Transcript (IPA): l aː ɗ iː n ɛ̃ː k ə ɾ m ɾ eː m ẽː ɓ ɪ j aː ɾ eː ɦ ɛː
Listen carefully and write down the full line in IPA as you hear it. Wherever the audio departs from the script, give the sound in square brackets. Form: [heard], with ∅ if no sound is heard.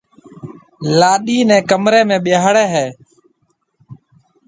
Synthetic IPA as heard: l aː ɗ iː n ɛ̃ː k ə [∅] m ɾ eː m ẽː ɓ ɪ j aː [ɽ] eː ɦ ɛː